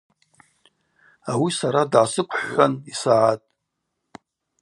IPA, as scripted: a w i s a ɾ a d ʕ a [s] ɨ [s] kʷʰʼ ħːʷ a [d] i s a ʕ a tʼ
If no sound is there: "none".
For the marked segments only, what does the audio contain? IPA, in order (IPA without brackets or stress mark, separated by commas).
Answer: s, none, n